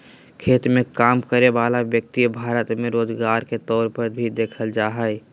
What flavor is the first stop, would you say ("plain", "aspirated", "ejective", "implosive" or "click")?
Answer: aspirated